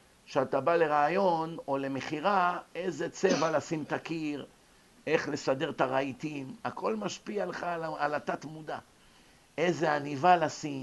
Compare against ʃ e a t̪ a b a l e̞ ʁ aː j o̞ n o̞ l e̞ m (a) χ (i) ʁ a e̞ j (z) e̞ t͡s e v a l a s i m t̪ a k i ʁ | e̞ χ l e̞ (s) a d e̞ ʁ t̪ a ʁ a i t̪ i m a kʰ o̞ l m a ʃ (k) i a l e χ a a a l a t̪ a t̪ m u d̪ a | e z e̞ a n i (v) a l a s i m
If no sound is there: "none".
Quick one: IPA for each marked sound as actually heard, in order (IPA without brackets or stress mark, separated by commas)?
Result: e, i, z, s, p, v